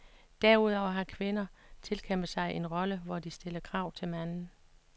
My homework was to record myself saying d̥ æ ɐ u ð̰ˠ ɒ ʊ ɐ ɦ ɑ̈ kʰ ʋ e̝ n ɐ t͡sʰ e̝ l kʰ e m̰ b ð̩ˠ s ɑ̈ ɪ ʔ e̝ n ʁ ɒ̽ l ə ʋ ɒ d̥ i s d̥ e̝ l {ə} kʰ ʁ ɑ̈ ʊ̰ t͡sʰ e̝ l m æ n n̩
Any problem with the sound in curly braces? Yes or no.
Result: yes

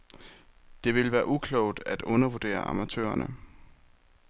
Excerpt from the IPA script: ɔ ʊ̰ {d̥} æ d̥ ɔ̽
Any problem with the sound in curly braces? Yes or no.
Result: no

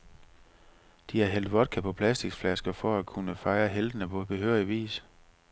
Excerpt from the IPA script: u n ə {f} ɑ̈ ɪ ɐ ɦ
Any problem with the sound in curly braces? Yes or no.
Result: no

